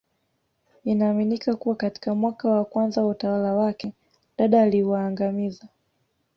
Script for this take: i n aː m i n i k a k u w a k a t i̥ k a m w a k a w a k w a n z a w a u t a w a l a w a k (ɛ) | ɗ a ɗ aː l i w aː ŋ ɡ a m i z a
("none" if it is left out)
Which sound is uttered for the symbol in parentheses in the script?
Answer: ɛ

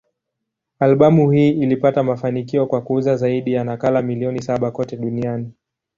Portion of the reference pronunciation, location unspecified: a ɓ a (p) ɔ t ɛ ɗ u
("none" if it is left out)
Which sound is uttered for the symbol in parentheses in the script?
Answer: k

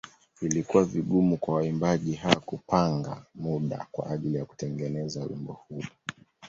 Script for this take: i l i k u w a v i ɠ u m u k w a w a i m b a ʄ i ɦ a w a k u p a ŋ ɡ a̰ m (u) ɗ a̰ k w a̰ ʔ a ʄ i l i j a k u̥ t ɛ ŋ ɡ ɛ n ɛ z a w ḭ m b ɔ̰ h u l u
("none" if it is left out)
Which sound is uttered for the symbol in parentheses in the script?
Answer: u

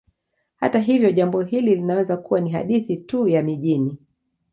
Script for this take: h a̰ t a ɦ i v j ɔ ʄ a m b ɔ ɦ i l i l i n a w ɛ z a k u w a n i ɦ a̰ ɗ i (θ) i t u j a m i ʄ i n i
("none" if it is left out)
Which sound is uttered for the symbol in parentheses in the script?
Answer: θ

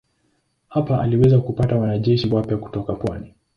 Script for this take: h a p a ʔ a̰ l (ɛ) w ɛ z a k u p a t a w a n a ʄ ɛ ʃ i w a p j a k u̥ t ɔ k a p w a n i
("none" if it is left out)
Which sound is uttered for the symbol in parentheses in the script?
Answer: i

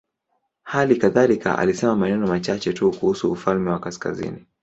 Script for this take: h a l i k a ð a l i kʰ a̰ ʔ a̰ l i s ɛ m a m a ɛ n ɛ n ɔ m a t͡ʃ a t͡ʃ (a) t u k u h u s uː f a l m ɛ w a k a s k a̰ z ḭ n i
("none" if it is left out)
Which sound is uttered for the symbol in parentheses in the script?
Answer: ɛ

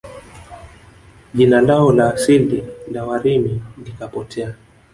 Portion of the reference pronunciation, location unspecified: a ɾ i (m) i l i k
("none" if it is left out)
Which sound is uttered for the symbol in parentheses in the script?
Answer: m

